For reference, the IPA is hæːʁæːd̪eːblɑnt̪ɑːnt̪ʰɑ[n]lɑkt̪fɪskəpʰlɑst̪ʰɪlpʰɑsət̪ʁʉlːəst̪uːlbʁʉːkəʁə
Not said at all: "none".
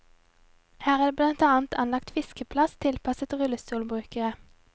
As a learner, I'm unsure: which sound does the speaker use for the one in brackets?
n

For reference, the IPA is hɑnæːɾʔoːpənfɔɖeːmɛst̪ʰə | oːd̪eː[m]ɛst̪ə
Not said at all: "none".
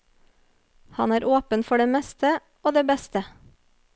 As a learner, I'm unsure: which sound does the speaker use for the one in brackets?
b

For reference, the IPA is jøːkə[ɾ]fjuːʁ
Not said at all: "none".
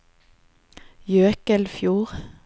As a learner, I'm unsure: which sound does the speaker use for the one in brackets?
l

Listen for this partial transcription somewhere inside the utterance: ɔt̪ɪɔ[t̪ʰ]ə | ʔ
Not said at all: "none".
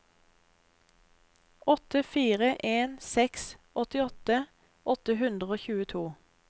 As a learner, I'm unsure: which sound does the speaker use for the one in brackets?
t̪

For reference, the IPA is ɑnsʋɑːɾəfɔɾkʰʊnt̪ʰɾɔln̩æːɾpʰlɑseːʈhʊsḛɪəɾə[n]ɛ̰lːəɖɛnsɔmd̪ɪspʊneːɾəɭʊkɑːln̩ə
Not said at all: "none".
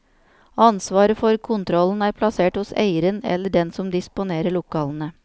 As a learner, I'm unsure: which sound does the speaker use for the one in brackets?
n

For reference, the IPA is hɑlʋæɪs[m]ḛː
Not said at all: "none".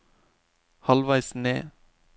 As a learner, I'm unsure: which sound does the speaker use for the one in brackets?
n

